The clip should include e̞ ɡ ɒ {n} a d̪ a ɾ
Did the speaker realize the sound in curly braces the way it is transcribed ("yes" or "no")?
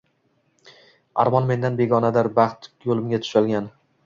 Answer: yes